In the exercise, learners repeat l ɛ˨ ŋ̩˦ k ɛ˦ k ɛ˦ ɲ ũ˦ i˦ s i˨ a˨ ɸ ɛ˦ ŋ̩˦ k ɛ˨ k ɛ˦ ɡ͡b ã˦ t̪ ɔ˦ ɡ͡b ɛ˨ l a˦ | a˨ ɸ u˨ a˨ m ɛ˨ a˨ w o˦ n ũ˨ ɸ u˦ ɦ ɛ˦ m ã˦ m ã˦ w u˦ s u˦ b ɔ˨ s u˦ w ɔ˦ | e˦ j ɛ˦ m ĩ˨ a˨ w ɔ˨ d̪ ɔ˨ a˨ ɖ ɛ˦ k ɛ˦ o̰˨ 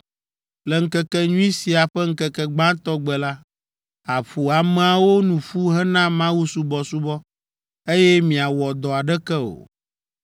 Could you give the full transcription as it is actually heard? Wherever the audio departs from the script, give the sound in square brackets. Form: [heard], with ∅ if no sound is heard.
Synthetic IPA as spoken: l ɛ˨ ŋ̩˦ k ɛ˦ k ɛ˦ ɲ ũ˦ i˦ s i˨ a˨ ɸ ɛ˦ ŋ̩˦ k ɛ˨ k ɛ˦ ɡ͡b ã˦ t̪ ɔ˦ ɡ͡b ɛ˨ l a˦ | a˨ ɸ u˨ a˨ m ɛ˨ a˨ w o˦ n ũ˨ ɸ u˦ ɦ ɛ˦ [n] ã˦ m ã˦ w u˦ s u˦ b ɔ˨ s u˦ [b] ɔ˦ | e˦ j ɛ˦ m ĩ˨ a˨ w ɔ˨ d̪ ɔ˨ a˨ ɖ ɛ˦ k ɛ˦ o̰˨